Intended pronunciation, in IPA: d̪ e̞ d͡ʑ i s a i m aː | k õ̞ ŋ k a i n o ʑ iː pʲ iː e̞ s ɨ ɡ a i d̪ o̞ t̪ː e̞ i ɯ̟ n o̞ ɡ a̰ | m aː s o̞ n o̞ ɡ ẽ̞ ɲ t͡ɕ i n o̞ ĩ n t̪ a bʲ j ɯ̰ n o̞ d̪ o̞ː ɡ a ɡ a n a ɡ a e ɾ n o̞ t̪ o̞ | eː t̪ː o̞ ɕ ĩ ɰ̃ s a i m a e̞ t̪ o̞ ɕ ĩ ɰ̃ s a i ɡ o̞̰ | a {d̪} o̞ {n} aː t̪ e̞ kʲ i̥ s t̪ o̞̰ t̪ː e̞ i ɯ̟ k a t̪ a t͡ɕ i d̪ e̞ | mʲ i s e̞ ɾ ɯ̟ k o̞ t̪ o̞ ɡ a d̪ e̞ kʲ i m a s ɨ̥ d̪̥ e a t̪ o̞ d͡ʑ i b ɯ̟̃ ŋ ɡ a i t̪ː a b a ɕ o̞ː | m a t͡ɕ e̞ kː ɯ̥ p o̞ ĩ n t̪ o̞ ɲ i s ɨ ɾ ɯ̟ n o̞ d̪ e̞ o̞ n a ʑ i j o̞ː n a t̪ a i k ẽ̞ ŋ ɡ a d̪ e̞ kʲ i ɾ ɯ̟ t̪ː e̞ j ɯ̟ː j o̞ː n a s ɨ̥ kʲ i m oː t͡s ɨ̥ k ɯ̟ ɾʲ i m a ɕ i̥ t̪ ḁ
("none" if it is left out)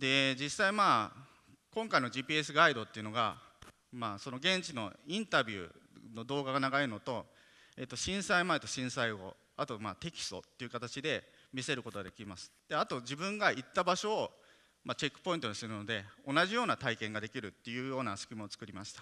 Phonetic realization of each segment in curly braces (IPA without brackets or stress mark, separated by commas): t̪, m